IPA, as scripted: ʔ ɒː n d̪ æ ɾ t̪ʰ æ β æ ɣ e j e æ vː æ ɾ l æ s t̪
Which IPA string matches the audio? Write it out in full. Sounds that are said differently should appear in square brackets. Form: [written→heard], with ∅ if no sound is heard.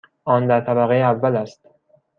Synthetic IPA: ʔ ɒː n d̪ æ ɾ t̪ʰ æ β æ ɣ e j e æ vː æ [ɾ→∅] l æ s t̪